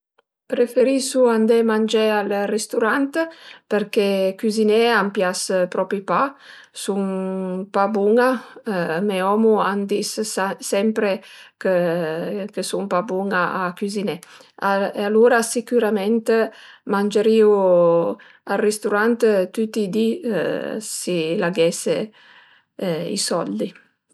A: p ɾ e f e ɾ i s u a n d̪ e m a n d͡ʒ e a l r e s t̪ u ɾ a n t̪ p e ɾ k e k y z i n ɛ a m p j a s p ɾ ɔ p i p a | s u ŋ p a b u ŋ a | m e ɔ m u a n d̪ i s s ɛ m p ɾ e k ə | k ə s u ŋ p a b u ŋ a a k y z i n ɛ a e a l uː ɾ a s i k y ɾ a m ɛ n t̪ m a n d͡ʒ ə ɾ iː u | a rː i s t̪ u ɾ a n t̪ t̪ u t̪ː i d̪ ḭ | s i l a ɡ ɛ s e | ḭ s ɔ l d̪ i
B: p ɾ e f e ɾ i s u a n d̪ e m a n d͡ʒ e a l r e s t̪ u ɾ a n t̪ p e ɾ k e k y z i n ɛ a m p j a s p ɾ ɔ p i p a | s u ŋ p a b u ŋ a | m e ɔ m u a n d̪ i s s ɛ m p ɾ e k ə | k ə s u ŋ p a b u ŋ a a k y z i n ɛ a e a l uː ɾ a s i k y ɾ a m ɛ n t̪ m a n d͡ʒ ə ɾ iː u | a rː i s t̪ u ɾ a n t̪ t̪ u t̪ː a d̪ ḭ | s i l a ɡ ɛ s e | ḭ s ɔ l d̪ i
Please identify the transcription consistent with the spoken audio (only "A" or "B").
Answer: A